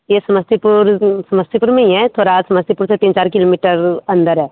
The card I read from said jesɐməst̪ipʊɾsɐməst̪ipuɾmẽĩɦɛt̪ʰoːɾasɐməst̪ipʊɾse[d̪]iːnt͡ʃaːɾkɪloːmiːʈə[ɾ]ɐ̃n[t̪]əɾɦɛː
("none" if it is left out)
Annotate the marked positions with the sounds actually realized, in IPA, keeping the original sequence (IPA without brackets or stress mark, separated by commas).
t̪, ɾ, d̪